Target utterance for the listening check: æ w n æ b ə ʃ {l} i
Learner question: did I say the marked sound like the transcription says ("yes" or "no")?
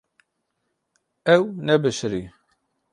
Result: no